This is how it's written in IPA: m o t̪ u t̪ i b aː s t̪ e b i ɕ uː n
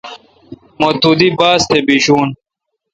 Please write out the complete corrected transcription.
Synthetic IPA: m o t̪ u d̪ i b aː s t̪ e b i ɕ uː n